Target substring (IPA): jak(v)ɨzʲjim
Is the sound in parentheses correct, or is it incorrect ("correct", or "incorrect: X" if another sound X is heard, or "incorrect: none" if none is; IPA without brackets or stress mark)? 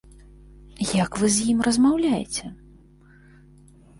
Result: correct